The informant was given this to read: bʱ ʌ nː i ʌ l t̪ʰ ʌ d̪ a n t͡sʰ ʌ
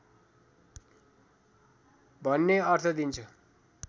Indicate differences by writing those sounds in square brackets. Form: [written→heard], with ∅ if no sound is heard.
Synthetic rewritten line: bʱ ʌ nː [i→e] ʌ [l→r] t̪ʰ ʌ d̪ [a→i] n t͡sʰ ʌ